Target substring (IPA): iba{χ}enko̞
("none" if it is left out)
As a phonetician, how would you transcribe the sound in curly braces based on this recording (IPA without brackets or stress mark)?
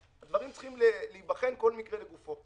χ